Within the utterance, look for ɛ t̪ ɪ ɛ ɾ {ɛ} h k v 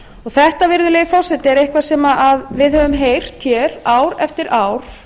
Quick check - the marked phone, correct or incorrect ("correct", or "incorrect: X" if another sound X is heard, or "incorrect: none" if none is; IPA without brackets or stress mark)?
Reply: incorrect: e